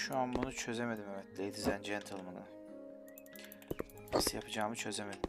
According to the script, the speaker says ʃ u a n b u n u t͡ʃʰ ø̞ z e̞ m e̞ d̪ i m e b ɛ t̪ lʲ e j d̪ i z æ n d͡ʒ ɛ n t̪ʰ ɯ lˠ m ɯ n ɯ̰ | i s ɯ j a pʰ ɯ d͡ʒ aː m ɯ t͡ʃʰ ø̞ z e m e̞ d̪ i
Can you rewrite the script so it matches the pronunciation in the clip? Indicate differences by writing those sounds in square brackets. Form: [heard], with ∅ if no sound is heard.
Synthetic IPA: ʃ u a n b u n u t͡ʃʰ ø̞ z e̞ m e̞ d̪ i m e [m] ɛ t̪ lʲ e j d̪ i z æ n d͡ʒ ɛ n t̪ʰ ɯ lˠ m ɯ n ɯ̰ | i s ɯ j a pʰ ɯ d͡ʒ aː m ɯ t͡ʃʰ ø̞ z e m e̞ d̪ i

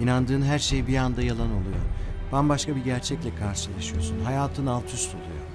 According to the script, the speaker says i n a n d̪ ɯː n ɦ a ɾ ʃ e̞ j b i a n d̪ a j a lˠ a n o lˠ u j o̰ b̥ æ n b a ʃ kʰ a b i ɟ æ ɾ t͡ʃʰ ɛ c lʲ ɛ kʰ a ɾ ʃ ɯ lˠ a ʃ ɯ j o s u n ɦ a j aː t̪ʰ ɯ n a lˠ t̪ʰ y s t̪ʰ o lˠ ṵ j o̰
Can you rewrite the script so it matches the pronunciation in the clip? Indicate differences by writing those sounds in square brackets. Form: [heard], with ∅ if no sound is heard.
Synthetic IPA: i n a n d̪ ɯː n ɦ [æ] ɾ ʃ e̞ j b i a n d̪ a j a lˠ a n o lˠ u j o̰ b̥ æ n b a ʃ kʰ a b i ɟ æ ɾ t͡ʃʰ ɛ c lʲ ɛ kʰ a ɾ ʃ ɯ lˠ a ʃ ɯ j o s u n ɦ a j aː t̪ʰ ɯ n a lˠ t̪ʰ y s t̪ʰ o lˠ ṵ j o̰

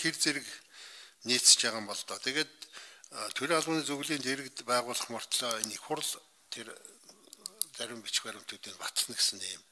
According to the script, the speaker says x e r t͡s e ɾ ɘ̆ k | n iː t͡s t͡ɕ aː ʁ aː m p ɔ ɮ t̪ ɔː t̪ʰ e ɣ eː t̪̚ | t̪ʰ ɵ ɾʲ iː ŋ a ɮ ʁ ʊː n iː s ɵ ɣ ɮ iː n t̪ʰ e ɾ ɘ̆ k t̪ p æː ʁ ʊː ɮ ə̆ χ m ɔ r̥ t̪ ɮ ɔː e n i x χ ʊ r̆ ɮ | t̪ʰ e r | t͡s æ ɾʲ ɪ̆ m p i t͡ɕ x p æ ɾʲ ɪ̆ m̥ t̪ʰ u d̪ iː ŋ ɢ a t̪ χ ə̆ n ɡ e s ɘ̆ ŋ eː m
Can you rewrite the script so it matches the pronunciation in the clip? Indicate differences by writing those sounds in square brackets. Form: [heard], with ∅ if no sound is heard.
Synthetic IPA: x e r t͡s e ɾ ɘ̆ k | n iː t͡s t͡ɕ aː ʁ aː m p ɔ ɮ t̪ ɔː t̪ʰ e ɣ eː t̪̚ | t̪ʰ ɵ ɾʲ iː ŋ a ɮ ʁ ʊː n iː [t͡s] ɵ ɣ ɮ iː n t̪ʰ e ɾ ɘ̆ k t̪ p æː ʁ ʊː ɮ ə̆ χ m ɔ r̥ t̪ ɮ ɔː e n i x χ ʊ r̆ ɮ | t̪ʰ e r | t͡s æ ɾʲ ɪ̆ m p i t͡ɕ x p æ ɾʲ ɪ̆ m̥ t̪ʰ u [t̪] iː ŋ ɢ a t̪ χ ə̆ n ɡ e s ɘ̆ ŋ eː m

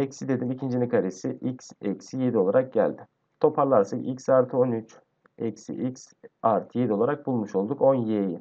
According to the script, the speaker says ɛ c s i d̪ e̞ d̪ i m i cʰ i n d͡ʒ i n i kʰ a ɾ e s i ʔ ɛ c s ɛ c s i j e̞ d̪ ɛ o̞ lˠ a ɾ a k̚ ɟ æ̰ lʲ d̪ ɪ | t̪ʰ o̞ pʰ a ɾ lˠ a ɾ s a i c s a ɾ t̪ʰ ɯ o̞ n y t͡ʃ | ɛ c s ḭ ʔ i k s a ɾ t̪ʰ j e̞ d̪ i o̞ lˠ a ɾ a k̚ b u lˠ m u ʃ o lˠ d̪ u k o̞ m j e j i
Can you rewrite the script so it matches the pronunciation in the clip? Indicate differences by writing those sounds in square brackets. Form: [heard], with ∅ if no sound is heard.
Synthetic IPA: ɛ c s i d̪ e̞ d̪ i m i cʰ i n d͡ʒ i n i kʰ a ɾ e s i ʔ [i] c s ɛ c s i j e̞ d̪ [i] o̞ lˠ a ɾ a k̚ ɟ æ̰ lʲ d̪ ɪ | t̪ʰ o̞ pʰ a ɾ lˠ a ɾ s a i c s a ɾ t̪ʰ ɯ o̞ n y t͡ʃ | ɛ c s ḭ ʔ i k s a ɾ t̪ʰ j e̞ d̪ i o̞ lˠ a ɾ a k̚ b u lˠ m u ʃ o lˠ d̪ u k o̞ [n] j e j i

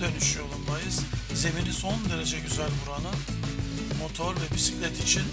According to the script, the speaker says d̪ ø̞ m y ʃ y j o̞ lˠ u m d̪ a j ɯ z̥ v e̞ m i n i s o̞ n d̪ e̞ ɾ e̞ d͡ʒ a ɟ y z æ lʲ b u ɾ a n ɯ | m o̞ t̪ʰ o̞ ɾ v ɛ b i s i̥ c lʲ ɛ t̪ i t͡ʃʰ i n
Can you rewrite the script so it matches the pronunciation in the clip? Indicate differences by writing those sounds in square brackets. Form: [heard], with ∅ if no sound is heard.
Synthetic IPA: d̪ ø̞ [n] y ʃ y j o̞ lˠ u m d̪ a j ɯ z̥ [z] e̞ m i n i s o̞ n d̪ e̞ ɾ e̞ d͡ʒ [ɛ] ɟ y z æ lʲ b u ɾ a n ɯ | m o̞ t̪ʰ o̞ ɾ v ɛ b i s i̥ c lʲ ɛ t̪ i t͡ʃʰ i n

